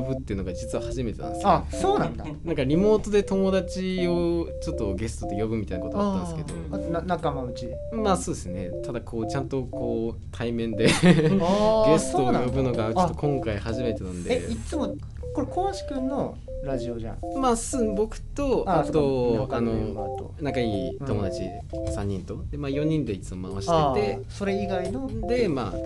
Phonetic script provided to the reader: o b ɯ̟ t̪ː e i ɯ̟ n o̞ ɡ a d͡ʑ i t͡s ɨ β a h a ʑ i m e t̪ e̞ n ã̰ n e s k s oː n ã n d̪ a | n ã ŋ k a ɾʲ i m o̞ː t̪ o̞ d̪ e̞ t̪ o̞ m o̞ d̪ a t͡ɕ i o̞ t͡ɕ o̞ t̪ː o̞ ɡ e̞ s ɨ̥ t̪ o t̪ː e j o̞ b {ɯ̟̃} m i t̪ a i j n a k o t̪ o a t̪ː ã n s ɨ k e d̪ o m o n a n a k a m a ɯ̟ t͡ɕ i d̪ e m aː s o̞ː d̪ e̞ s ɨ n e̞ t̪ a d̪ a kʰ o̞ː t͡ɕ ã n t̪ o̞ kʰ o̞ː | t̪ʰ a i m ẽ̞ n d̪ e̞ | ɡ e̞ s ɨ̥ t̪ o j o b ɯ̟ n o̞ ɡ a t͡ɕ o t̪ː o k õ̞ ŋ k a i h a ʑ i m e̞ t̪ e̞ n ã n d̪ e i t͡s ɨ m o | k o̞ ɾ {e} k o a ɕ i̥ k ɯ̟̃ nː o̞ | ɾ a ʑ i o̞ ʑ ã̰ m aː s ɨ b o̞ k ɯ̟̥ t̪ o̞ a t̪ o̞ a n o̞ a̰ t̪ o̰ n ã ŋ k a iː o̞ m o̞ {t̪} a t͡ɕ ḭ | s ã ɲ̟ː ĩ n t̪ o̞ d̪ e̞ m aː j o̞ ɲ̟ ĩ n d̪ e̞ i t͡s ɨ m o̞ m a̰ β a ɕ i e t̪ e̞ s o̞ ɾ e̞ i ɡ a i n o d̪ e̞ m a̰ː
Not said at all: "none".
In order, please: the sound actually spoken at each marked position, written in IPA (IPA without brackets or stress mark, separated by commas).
ɯ̟, e, d̪